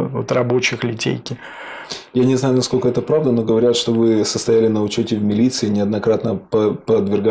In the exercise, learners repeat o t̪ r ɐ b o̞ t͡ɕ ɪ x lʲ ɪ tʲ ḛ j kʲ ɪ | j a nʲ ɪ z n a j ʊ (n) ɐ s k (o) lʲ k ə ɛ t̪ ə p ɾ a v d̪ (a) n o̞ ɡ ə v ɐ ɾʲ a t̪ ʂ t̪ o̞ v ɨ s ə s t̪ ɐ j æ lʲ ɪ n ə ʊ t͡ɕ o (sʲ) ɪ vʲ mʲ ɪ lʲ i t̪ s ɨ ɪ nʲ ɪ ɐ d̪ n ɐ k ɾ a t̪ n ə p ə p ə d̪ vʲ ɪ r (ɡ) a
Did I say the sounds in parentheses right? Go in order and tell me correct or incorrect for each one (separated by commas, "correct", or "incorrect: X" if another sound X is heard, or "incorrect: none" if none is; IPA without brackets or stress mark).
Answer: correct, correct, incorrect: ə, incorrect: tʲ, correct